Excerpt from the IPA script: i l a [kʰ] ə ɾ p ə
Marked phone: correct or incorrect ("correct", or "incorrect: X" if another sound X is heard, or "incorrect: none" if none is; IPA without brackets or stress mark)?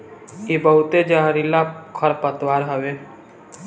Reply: correct